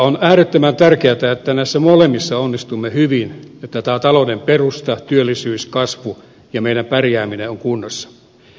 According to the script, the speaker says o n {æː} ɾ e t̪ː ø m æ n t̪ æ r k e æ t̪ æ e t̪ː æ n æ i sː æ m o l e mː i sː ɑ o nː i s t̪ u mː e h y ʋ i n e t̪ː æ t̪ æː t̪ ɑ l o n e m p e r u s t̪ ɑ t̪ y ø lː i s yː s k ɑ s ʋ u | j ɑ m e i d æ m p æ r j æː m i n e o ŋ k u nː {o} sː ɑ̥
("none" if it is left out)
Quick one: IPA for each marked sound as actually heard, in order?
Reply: æː, o

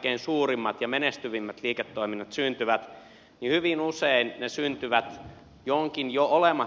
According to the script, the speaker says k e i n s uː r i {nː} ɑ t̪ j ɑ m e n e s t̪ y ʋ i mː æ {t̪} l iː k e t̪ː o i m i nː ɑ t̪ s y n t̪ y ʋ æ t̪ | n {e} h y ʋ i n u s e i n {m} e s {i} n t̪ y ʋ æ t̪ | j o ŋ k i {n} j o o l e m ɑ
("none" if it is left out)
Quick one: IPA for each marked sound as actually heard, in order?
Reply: mː, t̪, i, n, y, n

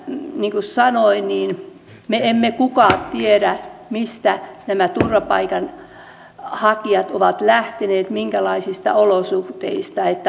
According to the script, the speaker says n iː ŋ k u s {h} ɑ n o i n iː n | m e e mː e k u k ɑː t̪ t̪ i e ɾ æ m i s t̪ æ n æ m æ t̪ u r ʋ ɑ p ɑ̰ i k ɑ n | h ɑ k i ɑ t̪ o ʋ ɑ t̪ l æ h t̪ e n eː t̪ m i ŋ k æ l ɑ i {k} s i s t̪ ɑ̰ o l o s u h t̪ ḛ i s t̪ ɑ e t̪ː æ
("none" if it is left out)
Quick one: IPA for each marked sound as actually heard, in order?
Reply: s, none

